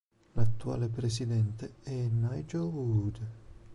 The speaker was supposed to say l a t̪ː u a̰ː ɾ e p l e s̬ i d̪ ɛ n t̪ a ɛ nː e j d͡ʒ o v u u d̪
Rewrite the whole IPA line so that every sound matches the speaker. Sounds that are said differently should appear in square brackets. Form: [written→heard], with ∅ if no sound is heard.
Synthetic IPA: l a t̪ː u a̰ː [ɾ→l] e p [l→ɾ] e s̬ i d̪ ɛ n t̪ [a→e] ɛ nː [e→a] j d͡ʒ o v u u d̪